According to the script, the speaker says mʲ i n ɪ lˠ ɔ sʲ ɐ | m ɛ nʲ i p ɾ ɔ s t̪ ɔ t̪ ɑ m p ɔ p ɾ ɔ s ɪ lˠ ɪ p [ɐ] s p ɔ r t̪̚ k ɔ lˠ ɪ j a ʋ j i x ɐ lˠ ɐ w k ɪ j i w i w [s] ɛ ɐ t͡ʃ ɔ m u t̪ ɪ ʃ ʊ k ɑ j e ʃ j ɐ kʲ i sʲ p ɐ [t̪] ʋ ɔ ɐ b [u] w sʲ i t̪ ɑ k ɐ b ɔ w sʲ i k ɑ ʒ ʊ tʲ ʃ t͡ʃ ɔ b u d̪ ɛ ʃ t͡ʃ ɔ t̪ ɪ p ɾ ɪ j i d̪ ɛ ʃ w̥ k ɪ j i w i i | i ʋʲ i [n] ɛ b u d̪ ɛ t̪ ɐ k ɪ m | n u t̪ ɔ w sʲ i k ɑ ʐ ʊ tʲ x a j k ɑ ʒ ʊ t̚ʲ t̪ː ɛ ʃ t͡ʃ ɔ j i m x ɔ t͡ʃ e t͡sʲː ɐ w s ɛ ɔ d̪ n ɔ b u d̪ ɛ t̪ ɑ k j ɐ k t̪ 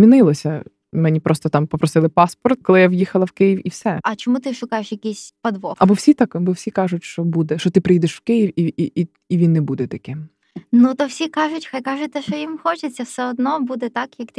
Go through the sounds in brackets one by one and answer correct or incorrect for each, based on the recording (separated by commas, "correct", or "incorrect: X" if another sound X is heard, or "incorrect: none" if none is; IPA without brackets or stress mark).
incorrect: ɑ, correct, incorrect: d̪, incorrect: ɔ, incorrect: nː